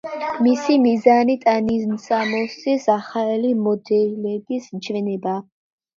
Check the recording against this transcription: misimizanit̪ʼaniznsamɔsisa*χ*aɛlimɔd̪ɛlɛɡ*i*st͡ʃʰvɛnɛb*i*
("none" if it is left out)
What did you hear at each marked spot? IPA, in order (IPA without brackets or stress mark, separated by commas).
χ, i, a